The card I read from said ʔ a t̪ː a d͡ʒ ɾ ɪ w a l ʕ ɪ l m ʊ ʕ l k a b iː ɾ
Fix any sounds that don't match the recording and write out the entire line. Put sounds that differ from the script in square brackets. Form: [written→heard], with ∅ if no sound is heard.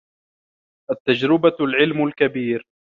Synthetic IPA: ʔ a t̪ː a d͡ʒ ɾ ɪ [w→b] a l ʕ ɪ l m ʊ [ʕ→∅] l k a b iː ɾ